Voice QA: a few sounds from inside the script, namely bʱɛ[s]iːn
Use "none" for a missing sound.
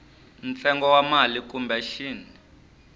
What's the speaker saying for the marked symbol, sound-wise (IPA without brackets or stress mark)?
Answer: ʃ